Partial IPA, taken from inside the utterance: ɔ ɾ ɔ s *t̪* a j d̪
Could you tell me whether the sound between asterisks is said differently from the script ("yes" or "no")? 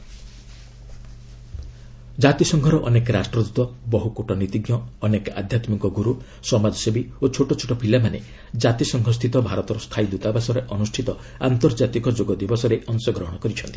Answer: yes